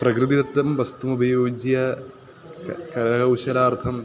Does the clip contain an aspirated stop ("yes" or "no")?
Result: yes